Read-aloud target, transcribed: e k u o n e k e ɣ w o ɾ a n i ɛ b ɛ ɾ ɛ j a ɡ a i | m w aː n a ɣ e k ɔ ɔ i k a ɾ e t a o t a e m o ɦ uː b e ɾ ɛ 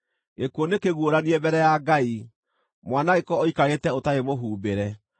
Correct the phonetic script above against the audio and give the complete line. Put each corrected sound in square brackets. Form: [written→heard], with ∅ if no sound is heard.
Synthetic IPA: e k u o n e k e ɣ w o ɾ a n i ɛ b ɛ ɾ ɛ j a ɡ a i | m w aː n a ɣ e k ɔ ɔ i k a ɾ e t [a→ɛ] o t a e m o ɦ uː b e ɾ ɛ